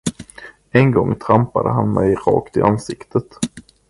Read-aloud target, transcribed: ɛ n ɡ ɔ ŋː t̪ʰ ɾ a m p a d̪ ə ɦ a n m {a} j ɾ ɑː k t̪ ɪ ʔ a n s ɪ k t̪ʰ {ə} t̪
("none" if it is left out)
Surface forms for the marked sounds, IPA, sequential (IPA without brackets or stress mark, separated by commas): ɛ, ə